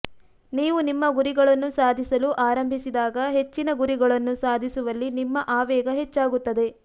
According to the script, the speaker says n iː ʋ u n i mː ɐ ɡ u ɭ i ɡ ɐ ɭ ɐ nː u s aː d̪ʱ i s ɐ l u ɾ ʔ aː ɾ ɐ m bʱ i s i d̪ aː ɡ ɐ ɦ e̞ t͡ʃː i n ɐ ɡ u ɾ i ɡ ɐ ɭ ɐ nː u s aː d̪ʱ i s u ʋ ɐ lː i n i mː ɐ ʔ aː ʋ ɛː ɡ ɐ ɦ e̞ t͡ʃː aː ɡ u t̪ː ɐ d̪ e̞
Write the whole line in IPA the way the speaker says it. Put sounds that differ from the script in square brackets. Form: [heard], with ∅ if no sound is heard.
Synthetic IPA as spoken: n iː ʋ u n i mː ɐ ɡ u [ɾ] i ɡ ɐ ɭ ɐ nː u s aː d̪ʱ i s ɐ l u [∅] ʔ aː ɾ ɐ m bʱ i s i d̪ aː ɡ ɐ ɦ e̞ t͡ʃː i n ɐ ɡ u ɾ i ɡ ɐ ɭ ɐ nː u s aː d̪ʱ i s u ʋ ɐ lː i n i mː ɐ ʔ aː ʋ ɛː ɡ ɐ ɦ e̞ t͡ʃː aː ɡ u t̪ː ɐ d̪ e̞